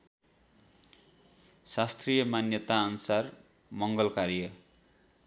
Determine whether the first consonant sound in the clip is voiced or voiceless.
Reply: voiceless